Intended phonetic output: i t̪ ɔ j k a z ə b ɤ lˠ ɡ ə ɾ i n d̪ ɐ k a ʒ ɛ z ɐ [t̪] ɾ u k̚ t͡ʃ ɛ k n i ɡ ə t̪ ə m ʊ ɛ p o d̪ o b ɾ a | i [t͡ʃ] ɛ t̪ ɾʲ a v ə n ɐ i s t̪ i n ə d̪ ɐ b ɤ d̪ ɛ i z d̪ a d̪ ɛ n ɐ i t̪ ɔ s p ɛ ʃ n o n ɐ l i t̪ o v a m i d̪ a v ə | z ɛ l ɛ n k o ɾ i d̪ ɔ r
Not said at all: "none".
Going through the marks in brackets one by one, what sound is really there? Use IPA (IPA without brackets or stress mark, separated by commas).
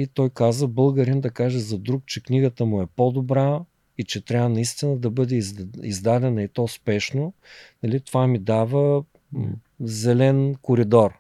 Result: d̪, t͡ʃ